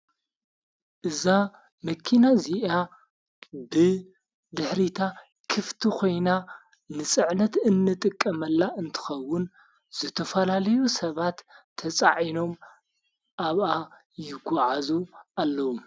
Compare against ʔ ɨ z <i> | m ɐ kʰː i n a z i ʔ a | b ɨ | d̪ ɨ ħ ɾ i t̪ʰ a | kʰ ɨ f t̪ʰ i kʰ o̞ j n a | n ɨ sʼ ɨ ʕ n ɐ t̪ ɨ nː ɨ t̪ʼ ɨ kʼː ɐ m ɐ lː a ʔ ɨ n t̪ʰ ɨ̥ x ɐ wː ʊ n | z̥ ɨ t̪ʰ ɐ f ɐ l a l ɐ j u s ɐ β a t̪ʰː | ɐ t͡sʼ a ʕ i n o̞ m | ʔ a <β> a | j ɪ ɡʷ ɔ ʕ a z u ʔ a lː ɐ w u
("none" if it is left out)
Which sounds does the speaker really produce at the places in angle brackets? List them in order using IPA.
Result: a, β

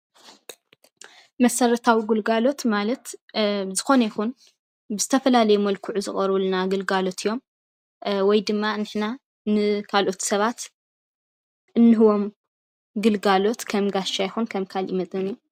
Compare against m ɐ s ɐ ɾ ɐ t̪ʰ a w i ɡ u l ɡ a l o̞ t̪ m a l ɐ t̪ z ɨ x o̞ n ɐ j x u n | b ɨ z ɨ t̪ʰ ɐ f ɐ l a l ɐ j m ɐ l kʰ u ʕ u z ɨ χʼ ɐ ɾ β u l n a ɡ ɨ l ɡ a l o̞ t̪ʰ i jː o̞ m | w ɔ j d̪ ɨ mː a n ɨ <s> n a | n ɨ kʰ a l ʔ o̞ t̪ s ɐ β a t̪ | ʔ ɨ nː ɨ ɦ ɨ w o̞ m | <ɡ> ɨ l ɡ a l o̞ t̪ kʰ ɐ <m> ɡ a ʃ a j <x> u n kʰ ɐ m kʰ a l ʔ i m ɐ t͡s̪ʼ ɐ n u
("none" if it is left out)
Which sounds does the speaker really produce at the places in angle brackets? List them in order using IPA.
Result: ħ, ɡ, m, x

